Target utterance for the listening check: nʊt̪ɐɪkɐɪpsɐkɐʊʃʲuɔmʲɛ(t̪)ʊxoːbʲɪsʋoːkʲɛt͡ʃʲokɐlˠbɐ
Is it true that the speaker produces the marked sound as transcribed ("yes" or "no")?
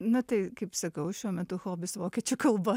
yes